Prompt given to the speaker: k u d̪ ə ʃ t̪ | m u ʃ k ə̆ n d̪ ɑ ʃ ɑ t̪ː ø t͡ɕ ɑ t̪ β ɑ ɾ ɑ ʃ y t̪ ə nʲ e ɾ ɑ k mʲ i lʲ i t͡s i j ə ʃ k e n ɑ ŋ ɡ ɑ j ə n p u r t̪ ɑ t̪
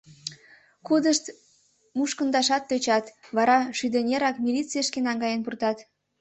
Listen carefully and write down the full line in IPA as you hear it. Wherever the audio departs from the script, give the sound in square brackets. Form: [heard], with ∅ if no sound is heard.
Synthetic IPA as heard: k u d̪ ə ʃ t̪ | m u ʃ k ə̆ n d̪ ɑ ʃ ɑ t̪ː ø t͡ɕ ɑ t̪ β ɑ ɾ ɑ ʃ y [d̪] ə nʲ e ɾ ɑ k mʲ i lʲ i t͡s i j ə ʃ k e n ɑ ŋ ɡ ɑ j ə n p u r t̪ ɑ t̪